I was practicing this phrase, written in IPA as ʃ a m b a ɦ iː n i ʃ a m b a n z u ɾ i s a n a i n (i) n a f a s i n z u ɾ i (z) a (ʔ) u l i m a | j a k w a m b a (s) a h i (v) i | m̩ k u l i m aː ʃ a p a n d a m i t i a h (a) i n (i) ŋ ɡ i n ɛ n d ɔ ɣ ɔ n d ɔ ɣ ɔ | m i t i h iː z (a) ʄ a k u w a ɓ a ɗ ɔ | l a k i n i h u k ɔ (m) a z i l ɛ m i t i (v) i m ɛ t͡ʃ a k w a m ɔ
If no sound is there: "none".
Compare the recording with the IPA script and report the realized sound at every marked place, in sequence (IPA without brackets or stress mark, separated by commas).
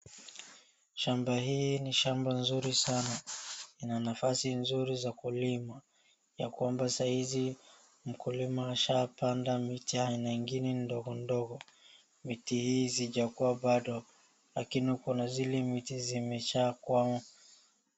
a, z, k, s, z, a, a, i, n, z